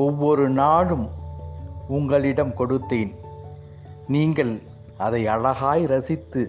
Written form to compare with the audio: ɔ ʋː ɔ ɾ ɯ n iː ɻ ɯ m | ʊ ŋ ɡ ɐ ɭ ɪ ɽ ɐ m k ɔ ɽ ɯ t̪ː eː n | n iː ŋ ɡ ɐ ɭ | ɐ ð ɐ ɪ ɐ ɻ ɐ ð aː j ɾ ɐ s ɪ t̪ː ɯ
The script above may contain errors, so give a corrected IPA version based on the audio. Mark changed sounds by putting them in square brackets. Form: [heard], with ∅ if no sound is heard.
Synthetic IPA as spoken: ɔ ʋː ɔ ɾ ɯ n [aː] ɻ ɯ m | ʊ ŋ ɡ ɐ ɭ ɪ ɽ ɐ m k ɔ ɽ ɯ t̪ː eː n | n iː ŋ ɡ ɐ ɭ | ɐ ð ɐ ɪ ɐ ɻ ɐ [ɣ] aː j ɾ ɐ s ɪ t̪ː ɯ